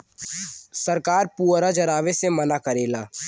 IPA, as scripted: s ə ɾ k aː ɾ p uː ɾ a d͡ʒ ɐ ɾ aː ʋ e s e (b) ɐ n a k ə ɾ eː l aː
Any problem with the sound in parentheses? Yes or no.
yes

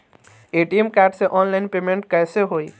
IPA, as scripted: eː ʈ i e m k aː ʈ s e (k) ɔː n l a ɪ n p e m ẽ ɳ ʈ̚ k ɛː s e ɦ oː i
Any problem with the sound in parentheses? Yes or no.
yes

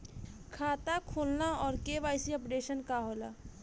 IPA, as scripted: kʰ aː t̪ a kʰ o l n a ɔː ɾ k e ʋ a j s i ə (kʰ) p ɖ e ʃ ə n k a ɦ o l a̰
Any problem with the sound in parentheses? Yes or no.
yes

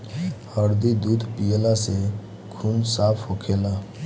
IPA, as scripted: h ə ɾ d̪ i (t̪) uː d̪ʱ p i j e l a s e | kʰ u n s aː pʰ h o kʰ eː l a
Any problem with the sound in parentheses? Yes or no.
yes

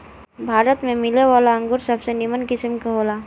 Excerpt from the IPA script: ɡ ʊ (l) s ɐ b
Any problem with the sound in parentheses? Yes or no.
yes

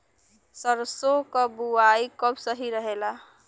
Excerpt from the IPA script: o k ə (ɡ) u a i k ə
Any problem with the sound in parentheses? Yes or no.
yes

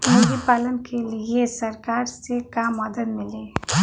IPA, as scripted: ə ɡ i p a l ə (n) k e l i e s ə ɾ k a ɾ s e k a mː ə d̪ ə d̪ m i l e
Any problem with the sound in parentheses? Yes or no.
no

